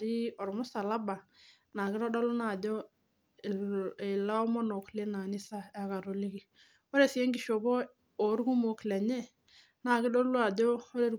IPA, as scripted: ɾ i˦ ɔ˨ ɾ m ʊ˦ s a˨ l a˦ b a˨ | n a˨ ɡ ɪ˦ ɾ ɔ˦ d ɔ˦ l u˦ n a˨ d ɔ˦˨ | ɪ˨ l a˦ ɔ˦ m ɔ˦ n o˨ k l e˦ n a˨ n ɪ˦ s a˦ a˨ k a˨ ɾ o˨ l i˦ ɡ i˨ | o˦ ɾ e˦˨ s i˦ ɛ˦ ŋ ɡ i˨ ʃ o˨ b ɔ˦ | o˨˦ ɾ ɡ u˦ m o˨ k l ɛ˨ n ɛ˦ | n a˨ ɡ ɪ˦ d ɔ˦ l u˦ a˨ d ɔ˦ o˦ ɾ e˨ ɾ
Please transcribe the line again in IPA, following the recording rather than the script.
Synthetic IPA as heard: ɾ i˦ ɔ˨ ɾ m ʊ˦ s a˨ l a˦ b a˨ | n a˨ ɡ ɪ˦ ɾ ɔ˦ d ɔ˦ l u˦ n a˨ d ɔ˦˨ | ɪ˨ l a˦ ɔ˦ m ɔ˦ n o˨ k l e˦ n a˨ n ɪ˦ s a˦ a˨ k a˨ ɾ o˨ l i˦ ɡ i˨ | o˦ ɾ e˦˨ s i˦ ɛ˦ ŋ ɡ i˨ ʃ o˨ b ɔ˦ | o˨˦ ɾ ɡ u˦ m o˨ k l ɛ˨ ɲ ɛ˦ | n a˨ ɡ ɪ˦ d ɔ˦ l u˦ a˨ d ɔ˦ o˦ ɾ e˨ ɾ

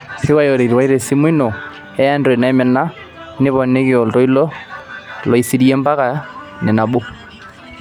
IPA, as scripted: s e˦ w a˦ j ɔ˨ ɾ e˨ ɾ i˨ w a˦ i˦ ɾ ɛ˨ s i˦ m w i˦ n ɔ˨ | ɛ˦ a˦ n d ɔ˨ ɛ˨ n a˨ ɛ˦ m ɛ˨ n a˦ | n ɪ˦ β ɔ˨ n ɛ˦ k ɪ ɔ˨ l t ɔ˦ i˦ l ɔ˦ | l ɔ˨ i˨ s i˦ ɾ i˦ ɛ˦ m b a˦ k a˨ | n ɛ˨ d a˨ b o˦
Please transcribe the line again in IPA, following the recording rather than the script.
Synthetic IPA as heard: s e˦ w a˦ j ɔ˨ ɾ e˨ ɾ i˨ w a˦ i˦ ɾ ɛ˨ s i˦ m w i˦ n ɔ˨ | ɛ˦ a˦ n d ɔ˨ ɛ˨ n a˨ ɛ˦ m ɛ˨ n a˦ | n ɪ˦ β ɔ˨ n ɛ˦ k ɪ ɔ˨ l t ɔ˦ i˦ l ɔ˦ | l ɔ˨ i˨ s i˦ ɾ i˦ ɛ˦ m b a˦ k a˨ | n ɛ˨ n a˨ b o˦

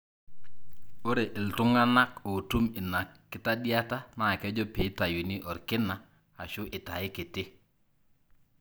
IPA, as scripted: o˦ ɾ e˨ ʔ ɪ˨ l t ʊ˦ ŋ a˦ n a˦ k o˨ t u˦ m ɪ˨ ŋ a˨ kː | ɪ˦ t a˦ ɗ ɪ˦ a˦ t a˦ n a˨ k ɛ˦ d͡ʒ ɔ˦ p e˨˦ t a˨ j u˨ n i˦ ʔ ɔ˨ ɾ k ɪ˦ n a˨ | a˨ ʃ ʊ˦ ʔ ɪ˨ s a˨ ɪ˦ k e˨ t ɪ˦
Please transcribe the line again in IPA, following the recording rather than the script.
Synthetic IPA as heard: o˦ ɾ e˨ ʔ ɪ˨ l t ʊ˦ ŋ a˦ n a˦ k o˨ t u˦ m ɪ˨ n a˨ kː | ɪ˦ t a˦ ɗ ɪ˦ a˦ t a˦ n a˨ k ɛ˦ d͡ʒ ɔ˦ p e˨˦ t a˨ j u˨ n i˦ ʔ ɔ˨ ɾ k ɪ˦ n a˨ | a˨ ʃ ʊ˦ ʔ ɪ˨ t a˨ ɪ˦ k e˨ t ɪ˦

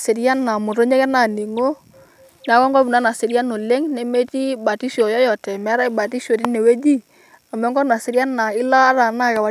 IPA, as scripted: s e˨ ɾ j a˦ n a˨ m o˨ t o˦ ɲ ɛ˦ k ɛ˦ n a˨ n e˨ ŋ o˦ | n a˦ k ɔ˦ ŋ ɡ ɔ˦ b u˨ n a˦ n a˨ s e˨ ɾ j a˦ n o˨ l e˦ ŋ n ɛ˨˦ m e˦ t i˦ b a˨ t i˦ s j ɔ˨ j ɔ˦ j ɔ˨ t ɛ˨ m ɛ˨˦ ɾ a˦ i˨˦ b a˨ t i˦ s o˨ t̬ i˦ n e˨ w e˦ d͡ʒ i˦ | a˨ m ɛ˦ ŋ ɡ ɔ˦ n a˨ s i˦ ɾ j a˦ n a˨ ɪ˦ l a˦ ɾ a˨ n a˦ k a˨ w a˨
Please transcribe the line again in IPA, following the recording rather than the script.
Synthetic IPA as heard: s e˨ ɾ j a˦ n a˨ m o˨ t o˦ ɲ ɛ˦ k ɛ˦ n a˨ n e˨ ŋ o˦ | n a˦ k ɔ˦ ŋ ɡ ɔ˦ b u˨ n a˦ n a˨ s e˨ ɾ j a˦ n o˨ l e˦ ŋ n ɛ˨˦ m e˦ t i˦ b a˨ t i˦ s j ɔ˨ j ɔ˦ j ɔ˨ t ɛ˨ m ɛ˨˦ ɾ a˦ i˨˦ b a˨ t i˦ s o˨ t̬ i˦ n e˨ w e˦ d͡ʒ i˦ | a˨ m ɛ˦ ŋ ɡ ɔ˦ n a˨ s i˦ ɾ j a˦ n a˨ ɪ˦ l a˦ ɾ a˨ n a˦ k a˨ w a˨

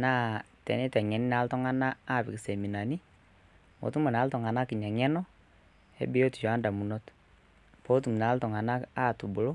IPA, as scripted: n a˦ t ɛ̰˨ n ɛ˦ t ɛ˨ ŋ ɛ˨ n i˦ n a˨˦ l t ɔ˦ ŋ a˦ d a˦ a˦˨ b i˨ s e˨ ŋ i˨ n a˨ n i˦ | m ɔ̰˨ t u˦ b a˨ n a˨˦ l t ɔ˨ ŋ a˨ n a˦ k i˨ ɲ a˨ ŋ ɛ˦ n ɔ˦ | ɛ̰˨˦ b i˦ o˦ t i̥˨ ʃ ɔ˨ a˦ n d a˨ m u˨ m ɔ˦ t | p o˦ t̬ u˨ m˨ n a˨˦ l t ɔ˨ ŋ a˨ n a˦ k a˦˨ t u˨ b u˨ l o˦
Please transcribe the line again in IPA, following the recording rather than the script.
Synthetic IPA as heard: n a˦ t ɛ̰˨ n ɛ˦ t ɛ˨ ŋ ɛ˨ n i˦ n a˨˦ l t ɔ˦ ŋ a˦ n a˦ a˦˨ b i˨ s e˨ m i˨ n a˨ n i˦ | m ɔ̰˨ t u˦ m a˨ n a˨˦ l t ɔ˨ ŋ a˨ n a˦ k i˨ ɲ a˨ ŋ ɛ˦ n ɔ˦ | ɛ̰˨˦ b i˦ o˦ t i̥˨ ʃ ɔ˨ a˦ n d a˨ m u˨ n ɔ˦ t | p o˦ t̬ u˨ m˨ n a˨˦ l t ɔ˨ ŋ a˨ n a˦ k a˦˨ t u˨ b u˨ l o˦

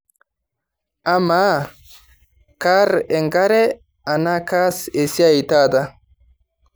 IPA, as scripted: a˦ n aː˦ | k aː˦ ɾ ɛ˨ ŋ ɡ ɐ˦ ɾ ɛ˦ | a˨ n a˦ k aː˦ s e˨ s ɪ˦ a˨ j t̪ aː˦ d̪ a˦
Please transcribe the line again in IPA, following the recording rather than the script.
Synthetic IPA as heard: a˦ m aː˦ | k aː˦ ɾ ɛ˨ ŋ ɡ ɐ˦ ɾ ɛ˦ | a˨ n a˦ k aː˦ s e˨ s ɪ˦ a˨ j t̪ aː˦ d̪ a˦

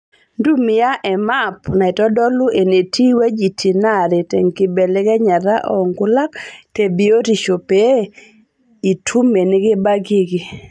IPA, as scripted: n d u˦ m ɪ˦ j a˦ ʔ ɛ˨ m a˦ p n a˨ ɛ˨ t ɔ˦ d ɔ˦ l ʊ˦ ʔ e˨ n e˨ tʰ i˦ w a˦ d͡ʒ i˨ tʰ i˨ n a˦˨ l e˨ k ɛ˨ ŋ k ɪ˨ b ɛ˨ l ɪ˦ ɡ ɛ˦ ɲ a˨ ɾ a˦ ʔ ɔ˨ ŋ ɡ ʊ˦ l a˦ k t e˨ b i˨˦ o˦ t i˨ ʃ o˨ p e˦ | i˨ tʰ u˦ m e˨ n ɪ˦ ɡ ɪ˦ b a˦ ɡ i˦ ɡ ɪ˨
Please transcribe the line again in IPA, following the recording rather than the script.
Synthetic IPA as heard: n d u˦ m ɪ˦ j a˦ ʔ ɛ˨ m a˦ p n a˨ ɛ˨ t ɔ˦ d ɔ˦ l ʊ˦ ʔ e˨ n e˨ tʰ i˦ w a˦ d͡ʒ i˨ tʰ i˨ n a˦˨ ɾ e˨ t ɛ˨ ŋ k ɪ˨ b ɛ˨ l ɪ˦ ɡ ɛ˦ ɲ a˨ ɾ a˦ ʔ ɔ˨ ŋ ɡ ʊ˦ l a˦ k t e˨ b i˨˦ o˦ t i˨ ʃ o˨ p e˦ | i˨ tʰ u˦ m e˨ n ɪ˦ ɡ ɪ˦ b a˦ ɡ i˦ ɡ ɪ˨

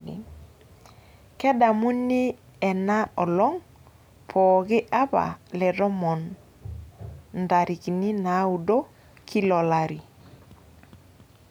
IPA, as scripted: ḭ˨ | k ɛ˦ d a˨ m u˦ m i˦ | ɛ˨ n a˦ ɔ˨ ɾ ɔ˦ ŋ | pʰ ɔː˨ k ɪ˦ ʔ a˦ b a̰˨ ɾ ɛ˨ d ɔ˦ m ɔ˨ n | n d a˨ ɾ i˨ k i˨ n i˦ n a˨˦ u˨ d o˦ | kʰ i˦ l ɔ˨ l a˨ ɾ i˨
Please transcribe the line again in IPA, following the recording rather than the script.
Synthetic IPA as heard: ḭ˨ | k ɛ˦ d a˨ m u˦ n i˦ | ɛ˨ n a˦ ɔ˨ l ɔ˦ ŋ | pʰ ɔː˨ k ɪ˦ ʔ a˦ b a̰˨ l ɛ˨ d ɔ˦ m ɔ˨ n | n d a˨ ɾ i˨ k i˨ n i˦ n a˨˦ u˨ d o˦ | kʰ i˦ l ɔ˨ l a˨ ɾ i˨

